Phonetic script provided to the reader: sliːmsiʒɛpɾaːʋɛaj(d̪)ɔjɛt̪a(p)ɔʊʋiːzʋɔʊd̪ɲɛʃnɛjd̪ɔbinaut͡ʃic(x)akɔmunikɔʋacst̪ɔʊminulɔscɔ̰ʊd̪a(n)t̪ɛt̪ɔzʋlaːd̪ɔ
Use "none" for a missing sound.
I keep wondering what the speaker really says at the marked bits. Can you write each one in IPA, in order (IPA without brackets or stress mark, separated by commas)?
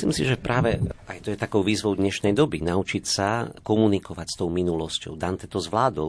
t̪, k, s, n